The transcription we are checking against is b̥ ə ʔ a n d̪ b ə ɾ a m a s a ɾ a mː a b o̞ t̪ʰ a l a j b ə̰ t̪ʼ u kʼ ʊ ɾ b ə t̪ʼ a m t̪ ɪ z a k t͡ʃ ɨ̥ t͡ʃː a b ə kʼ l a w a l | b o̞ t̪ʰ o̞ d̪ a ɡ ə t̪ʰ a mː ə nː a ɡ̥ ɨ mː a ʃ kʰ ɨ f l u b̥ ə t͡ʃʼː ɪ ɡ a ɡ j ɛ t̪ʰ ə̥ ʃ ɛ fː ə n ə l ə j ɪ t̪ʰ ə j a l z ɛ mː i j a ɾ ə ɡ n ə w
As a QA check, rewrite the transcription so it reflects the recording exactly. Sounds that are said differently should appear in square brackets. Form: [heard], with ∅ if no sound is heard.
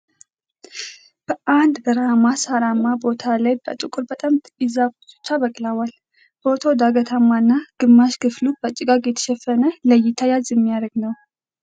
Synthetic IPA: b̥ ə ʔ a n d̪ b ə ɾ a m a s a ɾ a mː a b o̞ t̪ʰ a l a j b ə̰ t̪ʼ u kʼ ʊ ɾ b ə t̪ʼ a m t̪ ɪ z a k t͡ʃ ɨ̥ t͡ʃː a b ə kʼ l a w a l | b o̞ t̪ʰ o̞ d̪ a ɡ ə t̪ʰ a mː [a] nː a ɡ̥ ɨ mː a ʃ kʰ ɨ f l u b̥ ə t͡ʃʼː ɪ ɡ a ɡ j ɛ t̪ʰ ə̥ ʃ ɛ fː ə n ə l ə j ɪ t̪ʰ [a] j a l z ɛ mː i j a ɾ ə ɡ n ə w